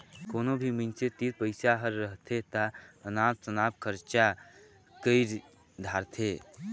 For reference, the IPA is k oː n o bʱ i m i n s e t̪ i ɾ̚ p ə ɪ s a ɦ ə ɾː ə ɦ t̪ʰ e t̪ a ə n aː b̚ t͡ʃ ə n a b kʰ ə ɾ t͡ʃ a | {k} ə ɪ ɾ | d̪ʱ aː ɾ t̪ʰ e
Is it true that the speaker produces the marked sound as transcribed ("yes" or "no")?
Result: yes